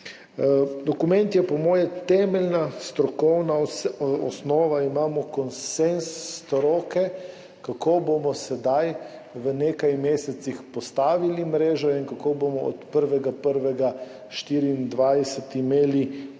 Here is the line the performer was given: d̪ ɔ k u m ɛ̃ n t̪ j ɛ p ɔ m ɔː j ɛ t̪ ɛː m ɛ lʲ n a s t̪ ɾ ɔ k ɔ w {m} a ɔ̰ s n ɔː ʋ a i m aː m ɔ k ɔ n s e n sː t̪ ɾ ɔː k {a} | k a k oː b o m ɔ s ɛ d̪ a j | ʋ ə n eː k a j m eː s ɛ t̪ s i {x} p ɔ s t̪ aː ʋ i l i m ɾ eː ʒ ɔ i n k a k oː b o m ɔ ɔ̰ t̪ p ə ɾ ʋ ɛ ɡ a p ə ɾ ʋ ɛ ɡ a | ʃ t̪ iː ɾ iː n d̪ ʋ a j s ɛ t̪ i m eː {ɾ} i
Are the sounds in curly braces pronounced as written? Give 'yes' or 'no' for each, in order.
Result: no, no, yes, no

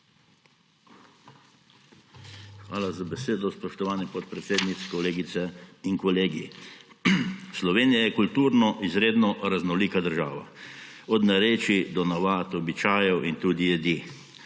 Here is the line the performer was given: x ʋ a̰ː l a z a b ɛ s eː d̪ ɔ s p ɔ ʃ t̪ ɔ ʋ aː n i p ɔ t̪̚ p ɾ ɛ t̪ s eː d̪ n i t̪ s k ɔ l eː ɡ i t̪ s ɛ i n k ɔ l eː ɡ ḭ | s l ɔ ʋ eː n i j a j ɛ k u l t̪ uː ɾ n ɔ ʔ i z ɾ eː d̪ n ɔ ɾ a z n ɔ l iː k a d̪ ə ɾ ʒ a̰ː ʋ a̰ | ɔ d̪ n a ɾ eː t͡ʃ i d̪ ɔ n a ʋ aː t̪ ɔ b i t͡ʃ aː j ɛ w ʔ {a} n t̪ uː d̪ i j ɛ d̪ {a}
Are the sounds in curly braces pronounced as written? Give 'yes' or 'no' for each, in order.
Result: no, no

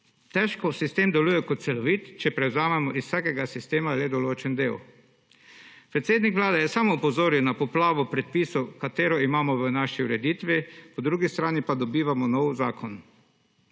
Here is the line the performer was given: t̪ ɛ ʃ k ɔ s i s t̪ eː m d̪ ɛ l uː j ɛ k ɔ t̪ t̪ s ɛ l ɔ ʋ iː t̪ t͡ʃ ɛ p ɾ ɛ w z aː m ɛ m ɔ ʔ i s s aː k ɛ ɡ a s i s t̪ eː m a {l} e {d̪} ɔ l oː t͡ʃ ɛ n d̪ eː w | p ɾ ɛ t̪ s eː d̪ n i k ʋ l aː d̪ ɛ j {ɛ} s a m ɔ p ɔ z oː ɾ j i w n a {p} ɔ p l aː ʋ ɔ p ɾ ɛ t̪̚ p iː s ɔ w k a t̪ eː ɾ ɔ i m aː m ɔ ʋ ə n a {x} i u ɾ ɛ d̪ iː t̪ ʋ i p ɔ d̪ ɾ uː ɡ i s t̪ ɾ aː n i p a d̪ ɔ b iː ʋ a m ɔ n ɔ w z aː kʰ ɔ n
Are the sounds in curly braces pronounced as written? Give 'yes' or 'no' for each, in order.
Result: yes, yes, yes, yes, no

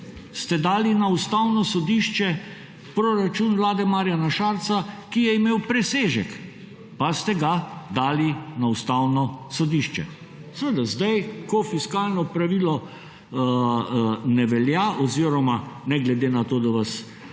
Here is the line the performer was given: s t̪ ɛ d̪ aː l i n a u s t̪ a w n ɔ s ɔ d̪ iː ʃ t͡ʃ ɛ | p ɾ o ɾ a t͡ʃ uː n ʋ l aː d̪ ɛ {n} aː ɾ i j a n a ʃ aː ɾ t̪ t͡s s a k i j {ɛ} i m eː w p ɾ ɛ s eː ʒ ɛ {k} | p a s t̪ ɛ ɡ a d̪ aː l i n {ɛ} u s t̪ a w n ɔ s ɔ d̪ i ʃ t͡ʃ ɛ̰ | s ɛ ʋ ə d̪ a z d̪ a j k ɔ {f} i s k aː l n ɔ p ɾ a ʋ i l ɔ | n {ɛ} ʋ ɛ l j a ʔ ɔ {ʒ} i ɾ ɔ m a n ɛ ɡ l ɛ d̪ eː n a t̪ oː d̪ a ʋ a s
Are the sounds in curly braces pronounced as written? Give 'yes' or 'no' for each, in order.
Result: no, yes, yes, no, yes, yes, no

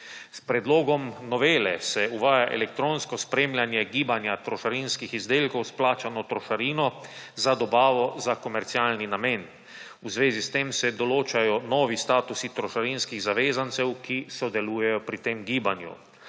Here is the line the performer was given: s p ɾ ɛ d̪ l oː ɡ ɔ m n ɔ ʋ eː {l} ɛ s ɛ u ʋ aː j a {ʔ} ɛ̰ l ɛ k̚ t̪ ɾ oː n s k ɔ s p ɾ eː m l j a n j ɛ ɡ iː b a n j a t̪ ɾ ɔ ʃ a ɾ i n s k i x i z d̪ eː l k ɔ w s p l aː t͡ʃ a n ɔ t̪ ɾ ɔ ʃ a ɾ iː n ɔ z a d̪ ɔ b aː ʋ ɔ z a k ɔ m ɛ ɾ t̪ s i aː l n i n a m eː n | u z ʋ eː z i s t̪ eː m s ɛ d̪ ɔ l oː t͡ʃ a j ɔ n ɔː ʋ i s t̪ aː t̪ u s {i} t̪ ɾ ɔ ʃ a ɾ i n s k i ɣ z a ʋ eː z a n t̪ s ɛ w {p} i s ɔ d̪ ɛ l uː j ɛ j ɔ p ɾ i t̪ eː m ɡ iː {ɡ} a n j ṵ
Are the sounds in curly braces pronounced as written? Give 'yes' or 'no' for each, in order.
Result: yes, yes, yes, no, no

